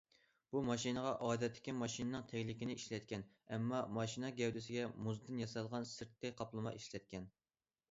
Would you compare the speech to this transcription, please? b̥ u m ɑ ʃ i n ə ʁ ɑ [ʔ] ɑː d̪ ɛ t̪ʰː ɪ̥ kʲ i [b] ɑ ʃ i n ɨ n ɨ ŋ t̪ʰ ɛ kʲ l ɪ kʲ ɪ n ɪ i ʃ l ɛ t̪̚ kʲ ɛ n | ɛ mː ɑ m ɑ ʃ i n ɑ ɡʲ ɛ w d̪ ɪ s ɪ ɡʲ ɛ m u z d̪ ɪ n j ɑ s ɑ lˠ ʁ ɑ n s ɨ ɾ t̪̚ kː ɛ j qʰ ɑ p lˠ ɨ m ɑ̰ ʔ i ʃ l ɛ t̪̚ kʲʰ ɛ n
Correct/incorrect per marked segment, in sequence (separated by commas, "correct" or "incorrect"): correct, incorrect